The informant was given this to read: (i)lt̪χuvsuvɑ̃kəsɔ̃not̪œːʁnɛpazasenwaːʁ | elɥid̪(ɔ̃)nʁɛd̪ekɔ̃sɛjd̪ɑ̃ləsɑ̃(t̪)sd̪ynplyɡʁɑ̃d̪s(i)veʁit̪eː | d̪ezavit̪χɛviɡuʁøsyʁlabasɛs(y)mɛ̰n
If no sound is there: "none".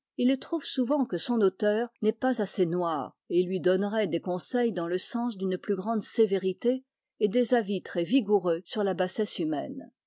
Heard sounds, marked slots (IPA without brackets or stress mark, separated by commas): i, ɔ, none, e, y